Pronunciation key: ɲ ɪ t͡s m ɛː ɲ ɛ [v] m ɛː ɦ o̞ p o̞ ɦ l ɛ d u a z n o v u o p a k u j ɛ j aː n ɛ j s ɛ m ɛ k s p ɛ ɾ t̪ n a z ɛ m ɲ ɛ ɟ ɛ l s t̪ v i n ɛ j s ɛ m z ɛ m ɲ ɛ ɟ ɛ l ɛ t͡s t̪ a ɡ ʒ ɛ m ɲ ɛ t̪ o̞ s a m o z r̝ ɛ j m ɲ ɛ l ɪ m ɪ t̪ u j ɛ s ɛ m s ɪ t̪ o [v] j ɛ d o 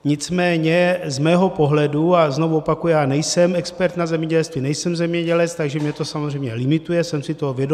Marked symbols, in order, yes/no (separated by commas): no, yes